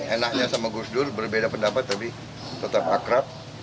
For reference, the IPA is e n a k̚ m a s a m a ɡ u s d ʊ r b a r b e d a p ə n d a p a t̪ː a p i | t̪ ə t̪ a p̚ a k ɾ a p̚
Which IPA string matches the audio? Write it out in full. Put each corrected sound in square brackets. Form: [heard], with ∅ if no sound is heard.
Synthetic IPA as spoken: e n a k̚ [ɲ] a s a m a ɡ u s d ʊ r b [ə] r b e d a p ə n d a p a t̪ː a p i | t̪ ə t̪ a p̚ a k ɾ a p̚